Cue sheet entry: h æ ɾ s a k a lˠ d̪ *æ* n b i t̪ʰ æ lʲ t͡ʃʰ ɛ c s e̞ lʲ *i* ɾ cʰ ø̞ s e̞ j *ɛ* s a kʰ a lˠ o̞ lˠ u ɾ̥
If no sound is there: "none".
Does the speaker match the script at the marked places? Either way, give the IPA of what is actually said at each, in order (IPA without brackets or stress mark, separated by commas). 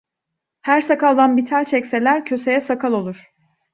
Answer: a, æ, ɛ